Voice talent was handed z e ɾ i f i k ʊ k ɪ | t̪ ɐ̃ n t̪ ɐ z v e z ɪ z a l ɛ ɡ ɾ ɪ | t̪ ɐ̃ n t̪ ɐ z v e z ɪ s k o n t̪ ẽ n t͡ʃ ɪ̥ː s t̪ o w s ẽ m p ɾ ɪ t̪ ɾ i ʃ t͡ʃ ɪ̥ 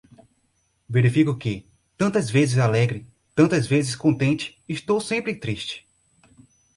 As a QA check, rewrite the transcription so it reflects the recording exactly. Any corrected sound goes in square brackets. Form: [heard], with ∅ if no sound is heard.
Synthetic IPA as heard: [v] e ɾ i f i k ʊ k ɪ | t̪ ɐ̃ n t̪ ɐ z v e z ɪ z a l ɛ ɡ ɾ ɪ | t̪ ɐ̃ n t̪ ɐ z v e z ɪ s k [õ] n t̪ ẽ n t͡ʃ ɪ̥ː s t̪ o w s ẽ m p ɾ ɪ t̪ ɾ i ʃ t͡ʃ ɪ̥

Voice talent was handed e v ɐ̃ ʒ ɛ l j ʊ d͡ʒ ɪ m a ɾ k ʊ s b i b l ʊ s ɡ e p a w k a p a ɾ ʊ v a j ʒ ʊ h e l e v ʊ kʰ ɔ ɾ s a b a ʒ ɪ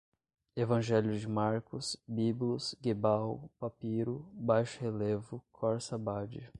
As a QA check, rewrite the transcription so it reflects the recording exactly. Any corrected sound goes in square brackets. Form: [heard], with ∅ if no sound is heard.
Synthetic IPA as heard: e v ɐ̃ ʒ ɛ l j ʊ d͡ʒ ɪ m a ɾ k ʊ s b i b l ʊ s ɡ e [b] a w [p] a p [i] ɾ ʊ [b] a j [ʃ] ʊ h e l e v ʊ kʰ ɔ ɾ s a b a [d͡ʒ] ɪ

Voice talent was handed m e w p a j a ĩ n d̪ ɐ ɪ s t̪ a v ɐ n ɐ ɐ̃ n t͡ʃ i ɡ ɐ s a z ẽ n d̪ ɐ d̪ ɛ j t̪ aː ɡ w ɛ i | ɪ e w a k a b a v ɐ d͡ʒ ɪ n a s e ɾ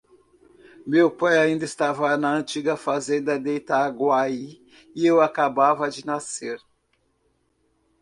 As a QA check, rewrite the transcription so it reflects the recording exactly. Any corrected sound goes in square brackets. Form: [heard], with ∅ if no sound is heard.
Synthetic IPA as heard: m e w p a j a ĩ n d̪ ɐ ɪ s t̪ a v ɐ n ɐ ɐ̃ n t͡ʃ i ɡ ɐ [f] a z ẽ n d̪ ɐ d̪ [e] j t̪ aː ɡ w [a] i | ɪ e w a k a b a v ɐ d͡ʒ ɪ n a s e ɾ

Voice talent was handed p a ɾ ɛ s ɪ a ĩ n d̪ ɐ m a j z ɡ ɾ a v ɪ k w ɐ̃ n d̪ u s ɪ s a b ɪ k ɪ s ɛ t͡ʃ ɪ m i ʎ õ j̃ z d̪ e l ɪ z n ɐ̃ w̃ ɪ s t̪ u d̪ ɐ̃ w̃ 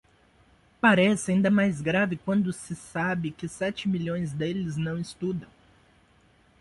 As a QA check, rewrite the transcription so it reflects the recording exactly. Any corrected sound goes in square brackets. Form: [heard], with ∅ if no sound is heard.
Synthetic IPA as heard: p a ɾ ɛ s ɪ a ĩ n d̪ ɐ m a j z ɡ ɾ a v ɪ k w ɐ̃ n d̪ [ʊ] s ɪ s a b ɪ k ɪ s ɛ t͡ʃ ɪ m i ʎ õ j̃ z d̪ e l ɪ z n ɐ̃ w̃ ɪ s t̪ u d̪ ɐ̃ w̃

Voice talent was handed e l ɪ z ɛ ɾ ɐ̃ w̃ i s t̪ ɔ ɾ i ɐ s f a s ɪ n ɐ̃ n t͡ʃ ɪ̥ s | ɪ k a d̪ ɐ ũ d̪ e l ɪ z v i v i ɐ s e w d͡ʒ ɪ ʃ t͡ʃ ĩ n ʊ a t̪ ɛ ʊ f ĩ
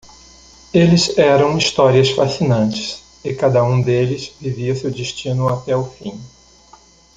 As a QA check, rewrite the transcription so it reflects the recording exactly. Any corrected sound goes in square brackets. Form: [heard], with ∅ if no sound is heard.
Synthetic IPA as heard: e l ɪ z ɛ ɾ ɐ̃ w̃ i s t̪ ɔ ɾ i ɐ s f a s [i] n ɐ̃ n t͡ʃ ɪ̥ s | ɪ k a d̪ ɐ ũ d̪ e l ɪ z v i v i ɐ s e w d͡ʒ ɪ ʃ t͡ʃ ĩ n ʊ a t̪ ɛ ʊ f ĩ

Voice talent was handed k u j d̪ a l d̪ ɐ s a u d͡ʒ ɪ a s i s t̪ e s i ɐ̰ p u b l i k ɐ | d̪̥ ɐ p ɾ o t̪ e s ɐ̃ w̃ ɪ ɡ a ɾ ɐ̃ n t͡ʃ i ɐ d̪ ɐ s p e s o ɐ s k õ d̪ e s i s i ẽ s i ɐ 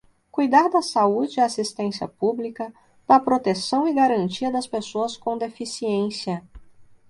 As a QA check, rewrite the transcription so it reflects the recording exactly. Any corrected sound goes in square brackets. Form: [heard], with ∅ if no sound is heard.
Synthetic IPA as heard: k u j d̪ a [ɾ] d̪ ɐ s a u d͡ʒ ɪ a s i s t̪ [ẽ] s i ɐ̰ p u b l i k ɐ | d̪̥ ɐ p ɾ o t̪ e s ɐ̃ w̃ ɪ ɡ a ɾ ɐ̃ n t͡ʃ i ɐ d̪ ɐ s p e s o ɐ s k õ d̪ e [f] i s i ẽ s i ɐ

